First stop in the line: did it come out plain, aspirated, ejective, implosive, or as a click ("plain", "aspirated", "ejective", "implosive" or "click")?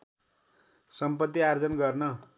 plain